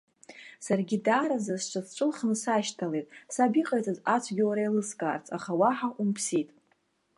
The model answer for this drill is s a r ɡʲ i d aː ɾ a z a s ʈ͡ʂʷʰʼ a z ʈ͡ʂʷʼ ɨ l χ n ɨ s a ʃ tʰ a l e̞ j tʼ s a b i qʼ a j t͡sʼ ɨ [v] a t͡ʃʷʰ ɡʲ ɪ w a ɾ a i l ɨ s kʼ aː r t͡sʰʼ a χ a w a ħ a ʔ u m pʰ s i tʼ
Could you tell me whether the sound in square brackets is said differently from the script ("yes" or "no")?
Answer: yes